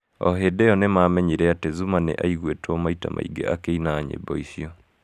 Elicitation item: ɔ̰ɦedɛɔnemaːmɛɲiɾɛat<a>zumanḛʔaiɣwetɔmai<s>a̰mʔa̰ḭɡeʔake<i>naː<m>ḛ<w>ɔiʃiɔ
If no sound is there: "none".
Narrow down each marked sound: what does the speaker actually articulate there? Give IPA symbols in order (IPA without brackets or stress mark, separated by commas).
e, t, i, ɲ, b